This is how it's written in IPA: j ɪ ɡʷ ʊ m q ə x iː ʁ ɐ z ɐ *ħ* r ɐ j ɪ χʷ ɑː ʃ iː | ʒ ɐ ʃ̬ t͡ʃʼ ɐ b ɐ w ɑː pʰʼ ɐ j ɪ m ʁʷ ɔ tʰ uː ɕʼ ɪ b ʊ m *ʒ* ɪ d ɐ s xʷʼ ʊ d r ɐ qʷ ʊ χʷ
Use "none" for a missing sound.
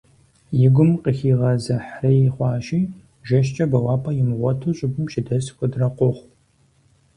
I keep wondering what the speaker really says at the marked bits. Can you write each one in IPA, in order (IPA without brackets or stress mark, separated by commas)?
ħ, ʃ